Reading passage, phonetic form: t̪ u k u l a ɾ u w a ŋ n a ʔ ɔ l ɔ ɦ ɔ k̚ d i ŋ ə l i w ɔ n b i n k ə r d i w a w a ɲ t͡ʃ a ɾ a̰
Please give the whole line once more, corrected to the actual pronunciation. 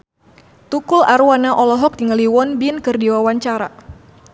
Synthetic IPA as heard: t̪ u k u l a ɾ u w a n a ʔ ɔ l ɔ ɦ ɔ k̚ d i ŋ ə l i w ɔ n b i n k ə r d i w a w a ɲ t͡ʃ a ɾ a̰